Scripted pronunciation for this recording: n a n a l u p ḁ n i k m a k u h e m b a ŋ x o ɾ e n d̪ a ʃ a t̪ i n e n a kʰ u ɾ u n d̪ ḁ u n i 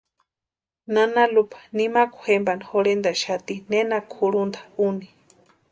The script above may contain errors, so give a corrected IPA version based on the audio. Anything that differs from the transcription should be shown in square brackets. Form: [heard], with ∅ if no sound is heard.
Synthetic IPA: n a n a l u p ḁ n i [∅] m a k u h e m b a [n] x o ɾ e n d̪ a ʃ a t̪ i n e n a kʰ u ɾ u n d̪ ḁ u n i